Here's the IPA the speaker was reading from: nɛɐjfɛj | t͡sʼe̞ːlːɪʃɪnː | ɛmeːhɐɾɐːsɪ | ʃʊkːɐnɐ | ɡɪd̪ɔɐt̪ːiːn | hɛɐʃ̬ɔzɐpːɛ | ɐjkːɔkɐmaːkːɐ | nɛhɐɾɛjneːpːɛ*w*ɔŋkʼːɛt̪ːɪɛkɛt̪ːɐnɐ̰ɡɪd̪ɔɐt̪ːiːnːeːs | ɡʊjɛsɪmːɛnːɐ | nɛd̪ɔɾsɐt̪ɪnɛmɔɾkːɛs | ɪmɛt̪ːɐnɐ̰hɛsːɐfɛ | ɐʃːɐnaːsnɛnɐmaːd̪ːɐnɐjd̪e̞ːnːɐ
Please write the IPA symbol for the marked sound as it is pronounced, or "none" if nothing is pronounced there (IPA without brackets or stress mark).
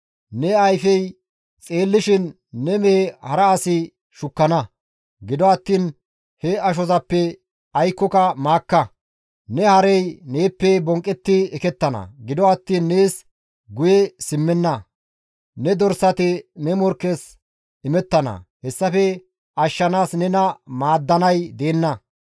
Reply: b